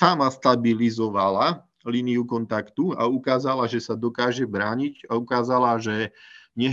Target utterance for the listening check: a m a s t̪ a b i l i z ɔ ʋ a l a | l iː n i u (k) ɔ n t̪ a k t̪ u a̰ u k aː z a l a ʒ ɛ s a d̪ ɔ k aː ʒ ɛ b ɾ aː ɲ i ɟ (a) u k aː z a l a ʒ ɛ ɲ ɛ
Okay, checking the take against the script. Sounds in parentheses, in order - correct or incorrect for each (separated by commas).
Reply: correct, correct